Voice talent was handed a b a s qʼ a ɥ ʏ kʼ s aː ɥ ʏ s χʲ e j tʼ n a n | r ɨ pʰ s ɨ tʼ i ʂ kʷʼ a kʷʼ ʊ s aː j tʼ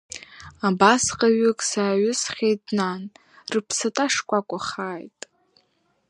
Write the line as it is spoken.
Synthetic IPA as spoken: a b a s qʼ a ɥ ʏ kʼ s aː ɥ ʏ s χʲ e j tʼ n a n | r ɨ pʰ s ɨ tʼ a ʂ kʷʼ a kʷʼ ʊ χ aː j tʼ